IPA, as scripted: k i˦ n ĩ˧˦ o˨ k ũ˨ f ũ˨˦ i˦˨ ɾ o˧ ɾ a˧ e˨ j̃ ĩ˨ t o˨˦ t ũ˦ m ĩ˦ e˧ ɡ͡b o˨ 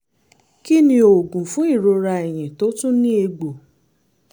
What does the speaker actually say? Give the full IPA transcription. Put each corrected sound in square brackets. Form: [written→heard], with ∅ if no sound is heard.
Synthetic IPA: k i˦ n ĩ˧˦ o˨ [k→ɡ] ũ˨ f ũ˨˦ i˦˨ ɾ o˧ ɾ a˧ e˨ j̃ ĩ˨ t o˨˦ t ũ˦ [m→n] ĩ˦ e˧ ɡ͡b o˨